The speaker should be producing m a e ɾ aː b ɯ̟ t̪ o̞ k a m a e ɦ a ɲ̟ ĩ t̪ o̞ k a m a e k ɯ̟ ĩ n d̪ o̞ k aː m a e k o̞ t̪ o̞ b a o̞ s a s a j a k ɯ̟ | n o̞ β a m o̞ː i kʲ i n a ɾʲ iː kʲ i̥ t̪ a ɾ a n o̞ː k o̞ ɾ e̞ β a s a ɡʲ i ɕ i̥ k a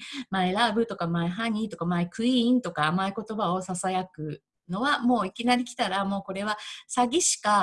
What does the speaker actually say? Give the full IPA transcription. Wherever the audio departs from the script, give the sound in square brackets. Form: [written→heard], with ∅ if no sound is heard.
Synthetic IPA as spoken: m a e ɾ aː b ɯ̟ t̪ o̞ k a m a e ɦ a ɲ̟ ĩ t̪ o̞ k a m a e k ɯ̟ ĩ n [d̪→t̪] o̞ k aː m a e k o̞ t̪ o̞ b a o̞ s a s a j a k ɯ̟ | n o̞ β a m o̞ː i kʲ i n a ɾʲ [iː→i] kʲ i̥ t̪ a ɾ a [n→m] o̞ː k o̞ ɾ e̞ β a s a ɡʲ i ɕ i̥ k a